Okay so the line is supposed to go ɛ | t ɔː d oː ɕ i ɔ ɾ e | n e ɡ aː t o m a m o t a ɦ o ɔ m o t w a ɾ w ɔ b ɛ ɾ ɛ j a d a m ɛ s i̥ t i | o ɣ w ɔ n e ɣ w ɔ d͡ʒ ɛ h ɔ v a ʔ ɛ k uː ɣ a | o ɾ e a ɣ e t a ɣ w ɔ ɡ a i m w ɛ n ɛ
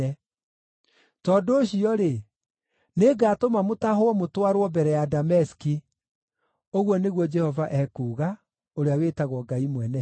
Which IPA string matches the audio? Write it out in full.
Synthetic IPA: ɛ | t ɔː d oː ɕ i ɔ ɾ e | n e ɡ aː t o m a m o t a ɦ o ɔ m o t w a ɾ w ɔ b ɛ ɾ ɛ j a d a m ɛ s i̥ k i | o ɣ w ɔ n e ɣ w ɔ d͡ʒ ɛ h ɔ v a ʔ ɛ k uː ɣ a | o ɾ e a w e t a ɣ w ɔ ɡ a i m w ɛ n ɛ